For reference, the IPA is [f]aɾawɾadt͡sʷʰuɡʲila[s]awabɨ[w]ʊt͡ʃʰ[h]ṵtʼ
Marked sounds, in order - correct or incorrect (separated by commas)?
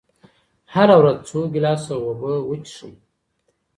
incorrect, correct, correct, incorrect